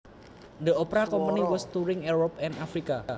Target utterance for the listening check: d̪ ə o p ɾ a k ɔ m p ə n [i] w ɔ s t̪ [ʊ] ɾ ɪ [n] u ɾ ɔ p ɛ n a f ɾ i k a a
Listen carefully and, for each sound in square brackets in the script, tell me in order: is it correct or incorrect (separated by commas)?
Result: correct, incorrect, incorrect